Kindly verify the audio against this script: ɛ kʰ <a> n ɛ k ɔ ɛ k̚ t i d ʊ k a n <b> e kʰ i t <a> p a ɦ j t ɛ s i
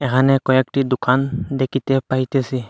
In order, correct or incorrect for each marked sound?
correct, incorrect, incorrect

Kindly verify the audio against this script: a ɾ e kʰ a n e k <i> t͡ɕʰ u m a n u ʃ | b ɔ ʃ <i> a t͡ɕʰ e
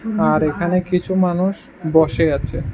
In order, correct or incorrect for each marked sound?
correct, incorrect

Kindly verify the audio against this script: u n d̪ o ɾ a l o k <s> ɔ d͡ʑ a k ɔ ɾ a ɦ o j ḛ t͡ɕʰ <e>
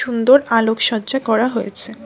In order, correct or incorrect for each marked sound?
incorrect, correct

